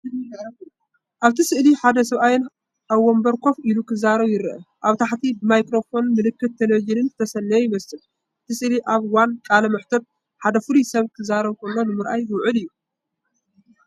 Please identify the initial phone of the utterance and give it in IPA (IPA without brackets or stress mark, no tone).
ʔ